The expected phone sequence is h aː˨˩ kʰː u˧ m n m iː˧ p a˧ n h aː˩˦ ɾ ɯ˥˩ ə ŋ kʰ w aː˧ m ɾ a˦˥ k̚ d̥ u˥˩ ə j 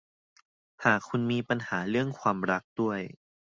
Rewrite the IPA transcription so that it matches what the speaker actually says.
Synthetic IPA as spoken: h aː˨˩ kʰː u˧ n m iː˧ p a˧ n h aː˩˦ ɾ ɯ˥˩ ə ŋ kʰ w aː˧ m ɾ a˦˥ k̚ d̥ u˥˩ ə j